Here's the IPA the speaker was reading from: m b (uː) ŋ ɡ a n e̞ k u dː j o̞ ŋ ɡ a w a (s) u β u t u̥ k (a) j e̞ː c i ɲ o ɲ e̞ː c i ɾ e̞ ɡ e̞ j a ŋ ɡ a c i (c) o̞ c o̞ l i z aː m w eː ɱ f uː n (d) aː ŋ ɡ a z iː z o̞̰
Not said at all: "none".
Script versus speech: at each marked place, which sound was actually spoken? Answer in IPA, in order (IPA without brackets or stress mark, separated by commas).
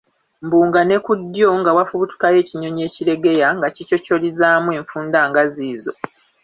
uː, f, a, c, d